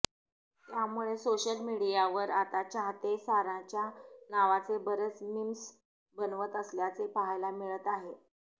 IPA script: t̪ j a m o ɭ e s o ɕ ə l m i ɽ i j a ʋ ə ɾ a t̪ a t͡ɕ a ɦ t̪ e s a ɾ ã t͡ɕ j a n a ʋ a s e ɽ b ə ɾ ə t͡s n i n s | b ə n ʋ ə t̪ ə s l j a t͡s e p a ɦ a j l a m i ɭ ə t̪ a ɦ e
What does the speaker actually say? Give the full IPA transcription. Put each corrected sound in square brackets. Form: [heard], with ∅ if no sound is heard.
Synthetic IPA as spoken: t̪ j a m [u] ɭ e s o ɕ ə l m i ɽ i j a ʋ ə ɾ a t̪ a t͡ɕ a ɦ t̪ e s a ɾ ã t͡ɕ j a n a ʋ a [t͡s] e [∅] b ə ɾ ə t͡s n i [m] s | b ə n ʋ ə t̪ ə s l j a t͡s e p a ɦ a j l a m i ɭ ə t̪ a ɦ e